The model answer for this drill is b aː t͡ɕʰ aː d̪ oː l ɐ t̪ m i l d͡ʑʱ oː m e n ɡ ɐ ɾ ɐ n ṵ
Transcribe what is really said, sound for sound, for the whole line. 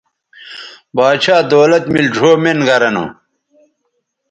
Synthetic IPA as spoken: b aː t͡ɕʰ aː d̪ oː l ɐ t̪ m i l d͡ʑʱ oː m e n ɡ ɐ ɾ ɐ n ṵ